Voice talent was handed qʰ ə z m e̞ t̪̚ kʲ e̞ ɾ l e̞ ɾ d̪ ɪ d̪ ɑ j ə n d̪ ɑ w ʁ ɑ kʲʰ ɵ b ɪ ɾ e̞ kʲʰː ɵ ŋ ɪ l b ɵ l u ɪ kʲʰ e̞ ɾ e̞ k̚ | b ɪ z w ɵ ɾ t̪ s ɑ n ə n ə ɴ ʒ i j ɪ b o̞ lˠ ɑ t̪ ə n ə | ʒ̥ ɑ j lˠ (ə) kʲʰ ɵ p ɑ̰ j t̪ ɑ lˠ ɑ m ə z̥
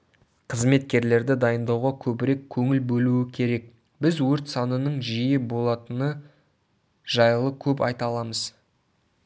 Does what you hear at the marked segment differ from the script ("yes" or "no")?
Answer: no